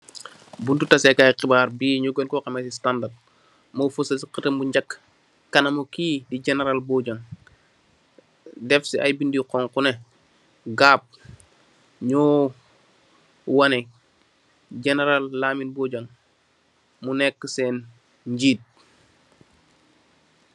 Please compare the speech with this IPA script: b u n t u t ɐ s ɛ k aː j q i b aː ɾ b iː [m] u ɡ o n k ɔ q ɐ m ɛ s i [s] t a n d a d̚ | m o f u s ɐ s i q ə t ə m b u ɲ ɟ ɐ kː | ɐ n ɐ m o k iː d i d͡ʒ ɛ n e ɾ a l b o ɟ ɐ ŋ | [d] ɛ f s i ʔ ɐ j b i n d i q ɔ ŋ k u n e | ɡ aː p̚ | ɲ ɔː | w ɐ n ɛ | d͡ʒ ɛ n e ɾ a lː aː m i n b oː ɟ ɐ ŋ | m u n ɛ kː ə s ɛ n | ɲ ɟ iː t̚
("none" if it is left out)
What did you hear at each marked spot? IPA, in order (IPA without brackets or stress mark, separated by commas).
ɲ, s, d